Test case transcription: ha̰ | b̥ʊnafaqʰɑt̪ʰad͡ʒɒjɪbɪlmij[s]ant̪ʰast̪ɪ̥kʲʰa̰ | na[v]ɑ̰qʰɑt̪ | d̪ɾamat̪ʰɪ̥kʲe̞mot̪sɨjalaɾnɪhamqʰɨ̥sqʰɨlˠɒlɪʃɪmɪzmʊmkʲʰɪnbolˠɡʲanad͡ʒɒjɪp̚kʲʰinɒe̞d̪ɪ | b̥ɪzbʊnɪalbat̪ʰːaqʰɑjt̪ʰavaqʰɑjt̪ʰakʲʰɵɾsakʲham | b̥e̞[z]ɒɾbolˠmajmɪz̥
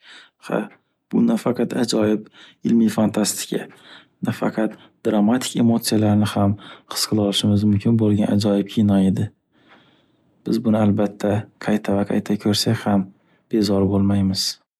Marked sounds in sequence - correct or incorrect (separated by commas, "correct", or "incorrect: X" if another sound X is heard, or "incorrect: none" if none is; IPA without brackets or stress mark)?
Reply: incorrect: f, incorrect: f, correct